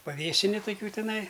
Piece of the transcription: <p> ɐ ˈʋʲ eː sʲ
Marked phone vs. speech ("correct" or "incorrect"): correct